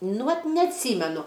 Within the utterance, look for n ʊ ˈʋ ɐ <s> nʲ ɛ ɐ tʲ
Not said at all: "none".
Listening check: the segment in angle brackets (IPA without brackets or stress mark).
t